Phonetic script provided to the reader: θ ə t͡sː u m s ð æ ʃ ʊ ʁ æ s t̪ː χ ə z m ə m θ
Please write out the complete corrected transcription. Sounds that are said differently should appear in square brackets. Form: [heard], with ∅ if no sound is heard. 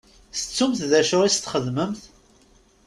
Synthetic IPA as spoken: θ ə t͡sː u m [θ] ð æ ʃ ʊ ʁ [i] s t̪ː χ ə [ð] m ə m θ

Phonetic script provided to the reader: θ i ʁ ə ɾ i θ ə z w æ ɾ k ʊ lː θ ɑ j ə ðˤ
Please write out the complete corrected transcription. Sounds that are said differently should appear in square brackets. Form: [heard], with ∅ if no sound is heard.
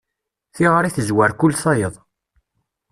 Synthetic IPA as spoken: θ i ʁ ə ɾ i θ ə z w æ ɾ k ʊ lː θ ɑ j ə ðˤ

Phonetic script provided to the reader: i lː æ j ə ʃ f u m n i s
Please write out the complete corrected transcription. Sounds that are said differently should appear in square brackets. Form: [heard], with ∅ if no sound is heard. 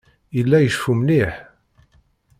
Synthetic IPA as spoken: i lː æ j ə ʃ f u m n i [ħ]

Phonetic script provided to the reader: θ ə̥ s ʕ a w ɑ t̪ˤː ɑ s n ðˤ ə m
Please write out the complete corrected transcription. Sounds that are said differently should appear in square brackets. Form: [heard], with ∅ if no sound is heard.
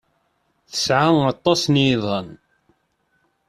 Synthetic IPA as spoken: θ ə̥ s ʕ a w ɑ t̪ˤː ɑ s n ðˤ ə [n]

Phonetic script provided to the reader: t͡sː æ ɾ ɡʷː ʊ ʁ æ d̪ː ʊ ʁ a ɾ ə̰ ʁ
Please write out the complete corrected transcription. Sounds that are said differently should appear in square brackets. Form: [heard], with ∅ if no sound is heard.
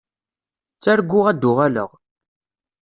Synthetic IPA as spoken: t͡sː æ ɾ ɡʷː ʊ ʁ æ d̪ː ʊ ʁ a [l] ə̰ ʁ

